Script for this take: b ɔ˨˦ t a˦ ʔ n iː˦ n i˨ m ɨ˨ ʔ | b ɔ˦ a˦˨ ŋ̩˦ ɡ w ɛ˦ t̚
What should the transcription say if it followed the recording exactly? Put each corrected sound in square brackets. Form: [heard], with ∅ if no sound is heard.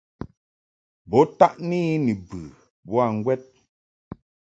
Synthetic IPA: b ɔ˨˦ t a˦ ʔ n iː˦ n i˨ [b] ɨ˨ [∅] | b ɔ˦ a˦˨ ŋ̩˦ ɡ w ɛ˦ t̚